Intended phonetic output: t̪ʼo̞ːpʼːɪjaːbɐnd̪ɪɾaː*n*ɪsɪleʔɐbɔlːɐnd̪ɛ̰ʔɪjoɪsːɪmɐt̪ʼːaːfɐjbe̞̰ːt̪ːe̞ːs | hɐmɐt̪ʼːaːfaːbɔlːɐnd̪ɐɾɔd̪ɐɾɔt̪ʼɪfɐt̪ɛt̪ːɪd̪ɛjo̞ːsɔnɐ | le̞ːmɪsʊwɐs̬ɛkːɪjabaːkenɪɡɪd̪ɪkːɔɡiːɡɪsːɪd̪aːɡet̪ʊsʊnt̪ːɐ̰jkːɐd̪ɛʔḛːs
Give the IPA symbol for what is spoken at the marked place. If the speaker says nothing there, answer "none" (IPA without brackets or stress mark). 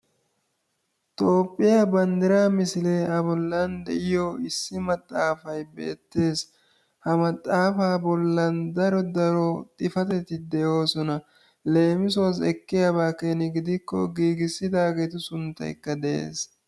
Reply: m